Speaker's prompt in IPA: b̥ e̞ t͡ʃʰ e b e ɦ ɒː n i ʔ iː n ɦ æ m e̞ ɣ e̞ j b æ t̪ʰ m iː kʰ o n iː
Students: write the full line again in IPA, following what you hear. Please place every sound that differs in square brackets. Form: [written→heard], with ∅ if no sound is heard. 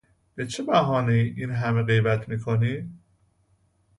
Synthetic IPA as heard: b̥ e̞ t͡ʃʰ e b [e→æ] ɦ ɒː n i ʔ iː n ɦ æ m e̞ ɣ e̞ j b æ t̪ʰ m iː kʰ o n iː